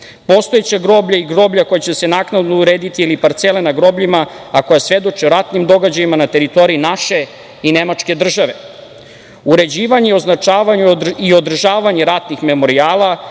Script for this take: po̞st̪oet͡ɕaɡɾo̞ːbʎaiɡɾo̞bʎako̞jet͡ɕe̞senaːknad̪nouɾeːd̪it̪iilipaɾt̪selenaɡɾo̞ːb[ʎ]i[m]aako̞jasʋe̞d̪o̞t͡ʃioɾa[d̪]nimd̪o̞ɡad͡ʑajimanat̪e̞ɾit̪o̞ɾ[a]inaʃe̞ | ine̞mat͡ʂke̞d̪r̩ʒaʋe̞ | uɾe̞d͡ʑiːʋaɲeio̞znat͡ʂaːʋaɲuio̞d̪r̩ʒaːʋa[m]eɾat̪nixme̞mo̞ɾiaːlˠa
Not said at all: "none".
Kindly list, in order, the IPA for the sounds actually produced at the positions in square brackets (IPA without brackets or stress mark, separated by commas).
ʎ, m, t̪, i, ɲ